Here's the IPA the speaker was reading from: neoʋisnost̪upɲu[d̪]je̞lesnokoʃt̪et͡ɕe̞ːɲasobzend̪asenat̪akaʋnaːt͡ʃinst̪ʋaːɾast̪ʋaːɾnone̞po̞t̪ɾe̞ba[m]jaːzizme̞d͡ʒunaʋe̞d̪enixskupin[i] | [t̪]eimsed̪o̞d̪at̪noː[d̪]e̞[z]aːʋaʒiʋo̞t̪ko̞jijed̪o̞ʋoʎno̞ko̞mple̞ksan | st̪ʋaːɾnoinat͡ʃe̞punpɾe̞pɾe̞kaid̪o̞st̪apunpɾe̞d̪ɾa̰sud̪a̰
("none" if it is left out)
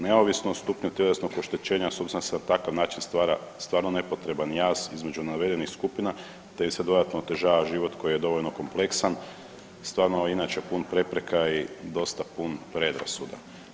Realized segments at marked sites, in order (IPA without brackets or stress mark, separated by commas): t̪, n, a, t̪, t̪, ʒ